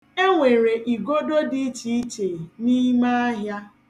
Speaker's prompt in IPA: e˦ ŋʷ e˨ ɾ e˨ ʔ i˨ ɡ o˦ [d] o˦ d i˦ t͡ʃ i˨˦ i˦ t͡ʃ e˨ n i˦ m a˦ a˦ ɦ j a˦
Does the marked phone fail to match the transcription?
no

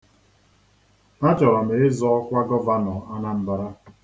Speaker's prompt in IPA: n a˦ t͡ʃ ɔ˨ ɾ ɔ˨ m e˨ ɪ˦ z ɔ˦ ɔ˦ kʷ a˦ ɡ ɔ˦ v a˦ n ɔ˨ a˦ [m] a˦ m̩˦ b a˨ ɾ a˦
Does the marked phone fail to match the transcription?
yes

